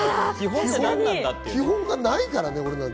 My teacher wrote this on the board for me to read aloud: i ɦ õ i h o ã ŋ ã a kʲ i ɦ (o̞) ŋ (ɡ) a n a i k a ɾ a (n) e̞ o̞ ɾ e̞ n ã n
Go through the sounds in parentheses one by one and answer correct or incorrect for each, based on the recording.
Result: incorrect, correct, correct

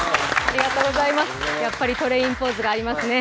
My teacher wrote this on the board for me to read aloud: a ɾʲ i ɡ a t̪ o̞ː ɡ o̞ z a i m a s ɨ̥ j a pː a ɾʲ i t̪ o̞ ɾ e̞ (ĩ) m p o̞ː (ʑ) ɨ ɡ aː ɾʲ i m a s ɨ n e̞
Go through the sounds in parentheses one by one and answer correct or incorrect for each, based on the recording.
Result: correct, incorrect

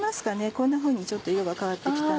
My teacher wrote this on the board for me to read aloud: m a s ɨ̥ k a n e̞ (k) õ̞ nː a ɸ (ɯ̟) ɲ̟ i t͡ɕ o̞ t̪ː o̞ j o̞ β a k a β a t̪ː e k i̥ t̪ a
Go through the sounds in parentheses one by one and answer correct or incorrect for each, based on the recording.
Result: correct, incorrect

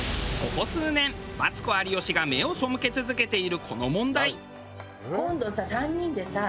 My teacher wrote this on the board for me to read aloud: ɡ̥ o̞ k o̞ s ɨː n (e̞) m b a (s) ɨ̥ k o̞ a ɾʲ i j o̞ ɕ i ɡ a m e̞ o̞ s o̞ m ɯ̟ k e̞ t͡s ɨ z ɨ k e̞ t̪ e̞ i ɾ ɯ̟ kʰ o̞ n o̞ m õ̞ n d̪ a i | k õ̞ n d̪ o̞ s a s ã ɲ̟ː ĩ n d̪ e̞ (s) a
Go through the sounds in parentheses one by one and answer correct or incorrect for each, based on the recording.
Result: incorrect, incorrect, correct

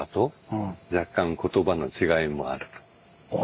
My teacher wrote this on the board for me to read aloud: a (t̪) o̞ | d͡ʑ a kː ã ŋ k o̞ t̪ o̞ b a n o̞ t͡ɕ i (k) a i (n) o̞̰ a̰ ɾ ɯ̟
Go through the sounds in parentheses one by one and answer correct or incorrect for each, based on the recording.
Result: correct, incorrect, incorrect

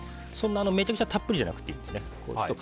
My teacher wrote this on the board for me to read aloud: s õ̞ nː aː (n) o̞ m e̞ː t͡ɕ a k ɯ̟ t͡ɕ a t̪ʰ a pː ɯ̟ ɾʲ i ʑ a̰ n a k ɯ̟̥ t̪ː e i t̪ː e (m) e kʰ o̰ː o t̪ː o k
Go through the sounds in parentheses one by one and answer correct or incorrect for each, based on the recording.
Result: correct, incorrect

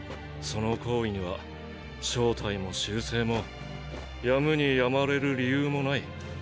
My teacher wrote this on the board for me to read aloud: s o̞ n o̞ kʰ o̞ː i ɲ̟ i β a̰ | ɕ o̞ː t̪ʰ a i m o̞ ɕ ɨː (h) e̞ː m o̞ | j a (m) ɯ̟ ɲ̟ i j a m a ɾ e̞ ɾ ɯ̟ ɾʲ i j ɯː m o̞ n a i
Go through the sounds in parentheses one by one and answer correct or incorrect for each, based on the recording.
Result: incorrect, correct

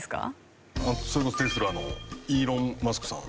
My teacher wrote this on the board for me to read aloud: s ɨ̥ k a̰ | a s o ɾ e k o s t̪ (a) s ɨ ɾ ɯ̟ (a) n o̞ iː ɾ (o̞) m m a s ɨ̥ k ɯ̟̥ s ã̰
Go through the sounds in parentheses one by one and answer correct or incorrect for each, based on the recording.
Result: incorrect, correct, incorrect

